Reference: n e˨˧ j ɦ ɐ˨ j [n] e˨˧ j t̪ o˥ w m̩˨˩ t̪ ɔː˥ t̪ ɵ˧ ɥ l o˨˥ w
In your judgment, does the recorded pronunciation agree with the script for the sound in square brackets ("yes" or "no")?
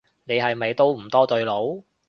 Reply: no